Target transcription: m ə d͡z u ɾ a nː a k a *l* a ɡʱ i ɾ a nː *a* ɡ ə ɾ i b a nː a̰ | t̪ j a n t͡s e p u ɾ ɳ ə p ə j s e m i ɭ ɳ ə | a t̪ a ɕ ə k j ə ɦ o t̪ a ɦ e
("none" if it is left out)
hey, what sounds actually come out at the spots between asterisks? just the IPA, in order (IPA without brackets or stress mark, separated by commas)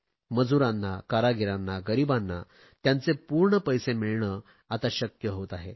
ɾ, a